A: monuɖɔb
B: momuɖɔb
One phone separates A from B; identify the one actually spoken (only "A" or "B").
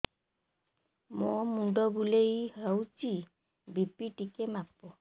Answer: B